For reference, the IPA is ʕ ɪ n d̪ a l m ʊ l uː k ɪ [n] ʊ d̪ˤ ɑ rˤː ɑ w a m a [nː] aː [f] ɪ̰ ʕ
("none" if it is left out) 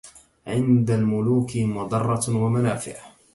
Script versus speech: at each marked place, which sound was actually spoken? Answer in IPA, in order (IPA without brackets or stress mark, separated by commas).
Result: m, n, f